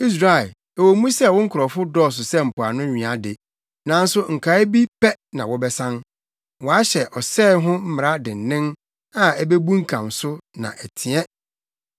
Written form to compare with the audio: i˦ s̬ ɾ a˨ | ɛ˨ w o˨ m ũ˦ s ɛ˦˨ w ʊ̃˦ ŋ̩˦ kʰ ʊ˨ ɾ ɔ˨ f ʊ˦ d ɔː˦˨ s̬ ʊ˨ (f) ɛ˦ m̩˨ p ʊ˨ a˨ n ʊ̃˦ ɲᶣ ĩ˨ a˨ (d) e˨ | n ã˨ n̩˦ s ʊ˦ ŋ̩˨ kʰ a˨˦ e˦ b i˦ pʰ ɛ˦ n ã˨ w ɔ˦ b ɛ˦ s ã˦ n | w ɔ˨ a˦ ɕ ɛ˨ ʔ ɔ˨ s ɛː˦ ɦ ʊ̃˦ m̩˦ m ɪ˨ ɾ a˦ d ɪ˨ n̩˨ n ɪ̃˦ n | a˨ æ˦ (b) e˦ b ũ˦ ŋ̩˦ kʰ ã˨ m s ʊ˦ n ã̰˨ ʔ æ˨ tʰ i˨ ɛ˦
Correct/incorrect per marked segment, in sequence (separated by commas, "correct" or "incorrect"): incorrect, correct, correct